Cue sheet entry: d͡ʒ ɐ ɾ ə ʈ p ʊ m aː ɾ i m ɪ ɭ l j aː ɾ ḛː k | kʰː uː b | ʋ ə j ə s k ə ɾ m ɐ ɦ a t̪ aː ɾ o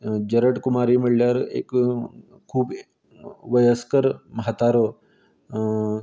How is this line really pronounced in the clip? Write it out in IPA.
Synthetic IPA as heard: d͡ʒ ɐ ɾ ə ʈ k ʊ m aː ɾ i m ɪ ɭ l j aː ɾ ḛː k | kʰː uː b | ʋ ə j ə s k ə ɾ m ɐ ɦ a t̪ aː ɾ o

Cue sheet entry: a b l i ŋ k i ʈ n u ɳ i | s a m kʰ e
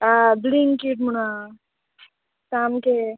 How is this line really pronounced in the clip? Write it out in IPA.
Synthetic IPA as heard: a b l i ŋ k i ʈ m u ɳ a | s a m k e

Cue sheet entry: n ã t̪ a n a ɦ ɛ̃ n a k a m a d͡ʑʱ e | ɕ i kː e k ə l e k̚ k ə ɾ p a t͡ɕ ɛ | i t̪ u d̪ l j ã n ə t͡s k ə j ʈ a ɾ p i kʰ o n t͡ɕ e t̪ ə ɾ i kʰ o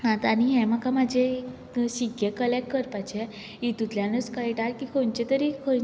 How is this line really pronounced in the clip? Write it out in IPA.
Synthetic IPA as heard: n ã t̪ a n i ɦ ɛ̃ m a k a m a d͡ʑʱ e | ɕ i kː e k ə l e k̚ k ə ɾ p a t͡ɕ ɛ | i t̪ u t̪ l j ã n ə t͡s k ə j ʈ a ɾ k i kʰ o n t͡ɕ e t̪ ə ɾ i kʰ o

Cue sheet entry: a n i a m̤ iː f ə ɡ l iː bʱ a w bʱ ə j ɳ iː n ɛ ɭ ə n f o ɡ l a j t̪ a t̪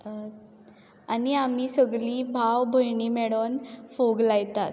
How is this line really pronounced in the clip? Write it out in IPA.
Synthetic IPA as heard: a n i a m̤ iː s ə ɡ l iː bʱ a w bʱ ə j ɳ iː m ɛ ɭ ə n f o ɡ l a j t̪ a t̪

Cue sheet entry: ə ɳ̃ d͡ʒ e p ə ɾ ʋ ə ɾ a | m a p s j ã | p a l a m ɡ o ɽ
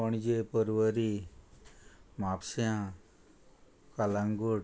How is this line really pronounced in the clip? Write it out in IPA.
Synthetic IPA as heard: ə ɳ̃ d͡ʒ e p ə ɾ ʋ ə ɾ i | m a p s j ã | k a l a ŋ ɡ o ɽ

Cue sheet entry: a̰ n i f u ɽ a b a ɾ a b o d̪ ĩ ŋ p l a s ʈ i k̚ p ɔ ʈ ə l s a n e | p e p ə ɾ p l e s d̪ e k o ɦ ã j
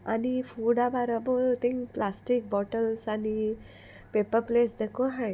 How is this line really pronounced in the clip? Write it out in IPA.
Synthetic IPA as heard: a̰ n i f u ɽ a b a ɾ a b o t̪ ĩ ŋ p l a s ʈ i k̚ b ɔ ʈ ə l s a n i | p e p ə ɾ p l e s d̪ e k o ɦ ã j

